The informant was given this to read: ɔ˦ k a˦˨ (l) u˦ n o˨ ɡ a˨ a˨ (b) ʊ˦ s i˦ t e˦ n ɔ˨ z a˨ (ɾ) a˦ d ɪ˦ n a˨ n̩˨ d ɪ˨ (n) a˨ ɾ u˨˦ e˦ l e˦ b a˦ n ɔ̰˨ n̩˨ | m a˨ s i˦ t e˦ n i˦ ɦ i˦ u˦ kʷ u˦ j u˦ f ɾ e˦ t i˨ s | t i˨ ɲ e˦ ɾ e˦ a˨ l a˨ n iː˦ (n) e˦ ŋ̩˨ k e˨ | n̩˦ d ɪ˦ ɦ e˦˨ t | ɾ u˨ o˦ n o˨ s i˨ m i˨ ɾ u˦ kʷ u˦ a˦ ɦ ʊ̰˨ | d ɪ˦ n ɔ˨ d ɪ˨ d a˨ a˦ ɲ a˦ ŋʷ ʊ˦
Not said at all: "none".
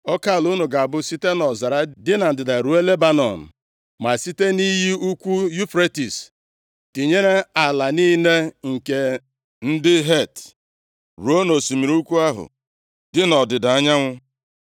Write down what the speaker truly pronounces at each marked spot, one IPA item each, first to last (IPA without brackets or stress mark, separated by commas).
l, b, ɾ, d, n